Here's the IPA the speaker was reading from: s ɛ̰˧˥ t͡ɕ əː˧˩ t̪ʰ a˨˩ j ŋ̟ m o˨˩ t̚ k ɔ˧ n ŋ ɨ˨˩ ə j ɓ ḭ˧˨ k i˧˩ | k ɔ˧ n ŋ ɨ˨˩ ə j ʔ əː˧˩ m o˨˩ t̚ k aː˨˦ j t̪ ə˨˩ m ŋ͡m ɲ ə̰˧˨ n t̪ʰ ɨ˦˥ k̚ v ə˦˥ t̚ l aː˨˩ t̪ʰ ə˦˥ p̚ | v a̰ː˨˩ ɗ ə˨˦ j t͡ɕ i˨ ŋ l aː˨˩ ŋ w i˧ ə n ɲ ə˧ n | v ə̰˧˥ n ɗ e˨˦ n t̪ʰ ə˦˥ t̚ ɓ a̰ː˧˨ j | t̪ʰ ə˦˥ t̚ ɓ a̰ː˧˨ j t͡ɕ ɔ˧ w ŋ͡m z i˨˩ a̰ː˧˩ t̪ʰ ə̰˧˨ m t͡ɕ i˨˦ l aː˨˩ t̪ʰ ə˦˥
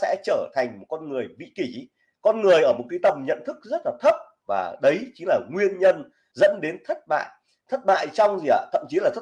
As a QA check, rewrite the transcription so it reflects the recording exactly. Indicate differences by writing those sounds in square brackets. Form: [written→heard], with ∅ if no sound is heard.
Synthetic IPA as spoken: s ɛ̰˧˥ t͡ɕ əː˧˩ t̪ʰ a˨˩ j ŋ̟ m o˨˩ t̚ k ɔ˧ n ŋ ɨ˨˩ ə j ɓ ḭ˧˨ k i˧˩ | k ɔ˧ n ŋ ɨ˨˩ ə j ʔ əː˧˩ m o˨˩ t̚ k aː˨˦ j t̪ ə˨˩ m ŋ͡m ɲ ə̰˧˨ n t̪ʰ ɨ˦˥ k̚ [v→z] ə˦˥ t̚ l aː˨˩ t̪ʰ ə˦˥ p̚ | v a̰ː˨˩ ɗ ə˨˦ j t͡ɕ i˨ ŋ l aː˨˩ ŋ w i˧ ə n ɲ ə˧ n | [v→z] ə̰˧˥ n ɗ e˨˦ n t̪ʰ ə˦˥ t̚ ɓ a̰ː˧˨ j | t̪ʰ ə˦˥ t̚ ɓ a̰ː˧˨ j t͡ɕ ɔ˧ w ŋ͡m z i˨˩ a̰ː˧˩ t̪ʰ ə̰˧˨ m t͡ɕ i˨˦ l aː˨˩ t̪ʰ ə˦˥

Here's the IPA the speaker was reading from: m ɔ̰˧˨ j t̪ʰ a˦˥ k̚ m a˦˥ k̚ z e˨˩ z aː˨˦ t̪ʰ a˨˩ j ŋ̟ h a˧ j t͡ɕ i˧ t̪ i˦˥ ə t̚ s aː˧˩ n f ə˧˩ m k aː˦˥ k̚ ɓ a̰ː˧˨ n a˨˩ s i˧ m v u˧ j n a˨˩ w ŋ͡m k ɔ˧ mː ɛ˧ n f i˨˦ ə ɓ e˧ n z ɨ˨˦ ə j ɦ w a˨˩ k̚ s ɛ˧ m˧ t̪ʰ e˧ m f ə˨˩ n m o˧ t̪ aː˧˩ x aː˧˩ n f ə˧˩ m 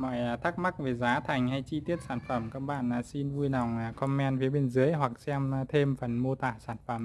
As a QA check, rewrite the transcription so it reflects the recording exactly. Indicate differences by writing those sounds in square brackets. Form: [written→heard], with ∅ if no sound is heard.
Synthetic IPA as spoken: m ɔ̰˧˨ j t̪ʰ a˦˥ k̚ m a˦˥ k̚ [z→v] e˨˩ z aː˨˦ t̪ʰ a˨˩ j ŋ̟ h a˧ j t͡ɕ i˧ t̪ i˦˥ ə t̚ s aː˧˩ n f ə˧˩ m k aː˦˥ k̚ ɓ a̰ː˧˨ n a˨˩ s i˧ [m→n] v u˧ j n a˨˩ w ŋ͡m k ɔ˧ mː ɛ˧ n f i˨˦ ə ɓ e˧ n z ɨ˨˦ ə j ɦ w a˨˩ k̚ s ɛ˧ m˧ t̪ʰ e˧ m f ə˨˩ n m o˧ t̪ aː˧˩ [x→s] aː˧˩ n f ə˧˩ m

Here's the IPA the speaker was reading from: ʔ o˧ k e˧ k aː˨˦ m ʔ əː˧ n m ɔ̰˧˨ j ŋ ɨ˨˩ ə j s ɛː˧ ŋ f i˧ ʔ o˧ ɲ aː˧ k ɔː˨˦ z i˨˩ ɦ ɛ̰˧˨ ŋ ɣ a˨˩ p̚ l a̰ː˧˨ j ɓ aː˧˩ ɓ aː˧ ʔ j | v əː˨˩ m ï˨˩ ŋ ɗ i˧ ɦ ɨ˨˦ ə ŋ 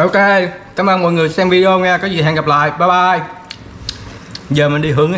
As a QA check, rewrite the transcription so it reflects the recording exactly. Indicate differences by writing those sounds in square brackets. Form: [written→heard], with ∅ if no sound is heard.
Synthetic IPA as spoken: ʔ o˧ k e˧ k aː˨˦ m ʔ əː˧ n m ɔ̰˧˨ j ŋ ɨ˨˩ ə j s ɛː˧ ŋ [f→v] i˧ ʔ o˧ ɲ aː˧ k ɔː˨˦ z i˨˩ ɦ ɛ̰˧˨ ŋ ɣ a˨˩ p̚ l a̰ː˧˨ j ɓ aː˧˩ ɓ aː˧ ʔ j | [v→z] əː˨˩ m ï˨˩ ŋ ɗ i˧ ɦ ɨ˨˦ ə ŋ

